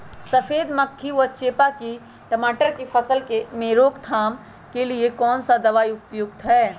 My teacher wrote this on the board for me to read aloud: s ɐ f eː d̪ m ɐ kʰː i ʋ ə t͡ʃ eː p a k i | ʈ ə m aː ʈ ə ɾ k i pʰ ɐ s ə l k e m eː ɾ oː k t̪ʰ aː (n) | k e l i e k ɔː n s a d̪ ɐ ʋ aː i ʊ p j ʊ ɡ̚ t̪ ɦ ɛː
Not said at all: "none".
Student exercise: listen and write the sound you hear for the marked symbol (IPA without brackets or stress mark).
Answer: m